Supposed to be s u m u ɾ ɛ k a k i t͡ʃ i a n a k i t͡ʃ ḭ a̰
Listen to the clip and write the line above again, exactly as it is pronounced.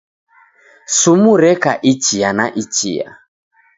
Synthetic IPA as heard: s u m u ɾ ɛ k a ʔ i t͡ʃ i a n a ʔ i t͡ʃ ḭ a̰